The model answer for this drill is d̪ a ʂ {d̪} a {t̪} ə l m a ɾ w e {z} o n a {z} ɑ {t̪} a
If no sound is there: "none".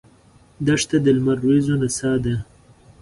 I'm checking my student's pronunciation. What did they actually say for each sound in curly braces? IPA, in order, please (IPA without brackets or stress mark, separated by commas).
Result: t̪, d̪, z, s, d̪